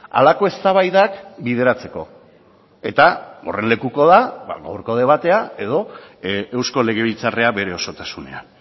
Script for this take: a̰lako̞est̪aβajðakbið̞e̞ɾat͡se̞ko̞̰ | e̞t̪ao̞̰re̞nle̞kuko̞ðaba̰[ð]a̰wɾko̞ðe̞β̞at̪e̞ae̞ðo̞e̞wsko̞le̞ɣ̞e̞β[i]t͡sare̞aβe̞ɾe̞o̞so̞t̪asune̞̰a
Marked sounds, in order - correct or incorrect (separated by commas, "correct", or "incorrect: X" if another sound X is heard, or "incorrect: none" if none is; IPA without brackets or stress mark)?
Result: incorrect: ɣ, correct